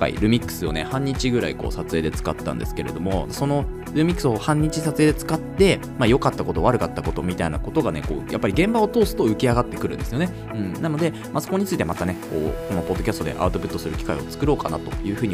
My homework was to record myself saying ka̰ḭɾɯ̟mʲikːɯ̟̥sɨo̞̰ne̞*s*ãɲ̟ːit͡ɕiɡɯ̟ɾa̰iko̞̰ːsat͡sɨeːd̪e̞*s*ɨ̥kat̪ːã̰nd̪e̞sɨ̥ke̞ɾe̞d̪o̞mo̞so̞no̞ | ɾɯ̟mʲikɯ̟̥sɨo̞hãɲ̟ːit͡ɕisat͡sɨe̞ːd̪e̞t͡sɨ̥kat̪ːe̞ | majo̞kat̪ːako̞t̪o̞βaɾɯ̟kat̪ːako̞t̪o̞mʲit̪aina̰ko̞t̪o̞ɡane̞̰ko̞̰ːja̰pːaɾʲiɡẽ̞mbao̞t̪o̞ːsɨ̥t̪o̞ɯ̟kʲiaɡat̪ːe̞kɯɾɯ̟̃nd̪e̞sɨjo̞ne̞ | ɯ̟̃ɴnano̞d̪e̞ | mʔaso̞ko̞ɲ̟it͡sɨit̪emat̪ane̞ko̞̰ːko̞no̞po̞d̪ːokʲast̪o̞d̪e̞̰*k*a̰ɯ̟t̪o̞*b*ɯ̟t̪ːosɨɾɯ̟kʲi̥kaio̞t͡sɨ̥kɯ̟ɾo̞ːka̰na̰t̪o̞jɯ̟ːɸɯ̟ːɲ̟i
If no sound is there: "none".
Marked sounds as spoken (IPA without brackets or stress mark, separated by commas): h, t͡s, ʔ, p